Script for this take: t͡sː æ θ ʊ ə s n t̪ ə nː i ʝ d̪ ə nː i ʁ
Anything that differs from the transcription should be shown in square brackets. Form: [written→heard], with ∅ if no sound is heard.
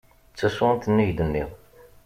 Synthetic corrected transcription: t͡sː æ [θ→s] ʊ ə [s→∅] n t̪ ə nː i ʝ d̪ ə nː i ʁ